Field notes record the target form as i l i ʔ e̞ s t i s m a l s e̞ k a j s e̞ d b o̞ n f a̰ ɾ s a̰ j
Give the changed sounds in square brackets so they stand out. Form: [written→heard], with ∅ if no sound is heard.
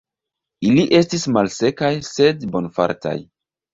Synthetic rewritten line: i l i ʔ e̞ s t i s m a l s e̞ k a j s e̞ d b o̞ n f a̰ ɾ [s→t] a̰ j